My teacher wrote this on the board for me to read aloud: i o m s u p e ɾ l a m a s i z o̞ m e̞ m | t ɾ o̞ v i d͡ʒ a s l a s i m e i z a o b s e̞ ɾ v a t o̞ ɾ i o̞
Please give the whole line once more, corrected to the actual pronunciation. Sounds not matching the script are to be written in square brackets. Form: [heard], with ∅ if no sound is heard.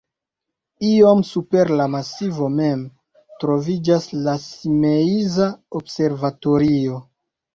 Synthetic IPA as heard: i o m s u p e ɾ l a m a s i [v] o̞ m e̞ m | t ɾ o̞ v i d͡ʒ a s l a s i m e i z a o b s e̞ ɾ v a t o̞ ɾ i o̞